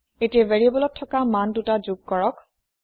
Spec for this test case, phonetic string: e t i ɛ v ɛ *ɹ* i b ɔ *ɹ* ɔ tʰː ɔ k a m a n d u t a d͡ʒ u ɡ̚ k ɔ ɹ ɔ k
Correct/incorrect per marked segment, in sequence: correct, incorrect: l

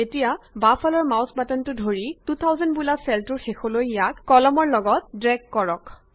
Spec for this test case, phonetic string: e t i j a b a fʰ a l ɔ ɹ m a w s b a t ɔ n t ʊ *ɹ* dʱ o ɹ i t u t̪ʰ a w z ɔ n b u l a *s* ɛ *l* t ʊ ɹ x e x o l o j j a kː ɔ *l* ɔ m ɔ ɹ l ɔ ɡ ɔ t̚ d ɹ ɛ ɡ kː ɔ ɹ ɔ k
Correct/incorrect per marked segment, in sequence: incorrect: none, correct, correct, correct

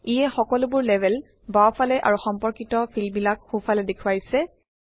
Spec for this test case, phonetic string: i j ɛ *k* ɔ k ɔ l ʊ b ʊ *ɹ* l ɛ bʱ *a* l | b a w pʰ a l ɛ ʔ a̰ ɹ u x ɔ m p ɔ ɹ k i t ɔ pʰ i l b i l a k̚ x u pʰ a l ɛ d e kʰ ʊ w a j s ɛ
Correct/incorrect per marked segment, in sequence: incorrect: x, correct, incorrect: ɛ

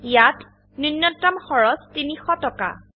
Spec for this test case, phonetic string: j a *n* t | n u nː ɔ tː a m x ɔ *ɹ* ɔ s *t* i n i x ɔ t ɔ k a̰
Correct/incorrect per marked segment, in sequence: incorrect: none, correct, correct

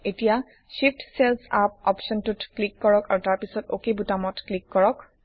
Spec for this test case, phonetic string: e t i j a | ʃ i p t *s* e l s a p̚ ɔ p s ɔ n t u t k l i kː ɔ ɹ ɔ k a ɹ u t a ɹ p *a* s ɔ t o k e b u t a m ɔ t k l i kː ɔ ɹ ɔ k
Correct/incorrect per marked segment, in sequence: correct, incorrect: i

